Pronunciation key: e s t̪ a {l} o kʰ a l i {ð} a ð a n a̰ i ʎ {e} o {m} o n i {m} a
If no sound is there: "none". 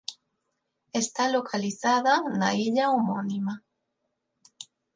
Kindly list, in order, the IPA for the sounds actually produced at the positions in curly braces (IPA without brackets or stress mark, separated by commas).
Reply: l, θ, a, m, m